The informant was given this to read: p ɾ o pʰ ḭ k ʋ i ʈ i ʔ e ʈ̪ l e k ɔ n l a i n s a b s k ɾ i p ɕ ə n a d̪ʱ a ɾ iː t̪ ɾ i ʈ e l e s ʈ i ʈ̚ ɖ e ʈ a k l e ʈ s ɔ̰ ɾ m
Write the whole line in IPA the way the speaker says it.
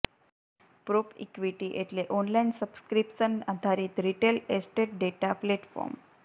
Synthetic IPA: p ɾ o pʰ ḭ k ʋ i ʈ i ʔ e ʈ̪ l e ʔ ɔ n l a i n s ə b s k ɾ i p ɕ ə n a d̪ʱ a ɾ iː t̪ ɾ i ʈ e l e s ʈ e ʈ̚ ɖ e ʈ a p l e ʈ f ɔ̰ ɾ m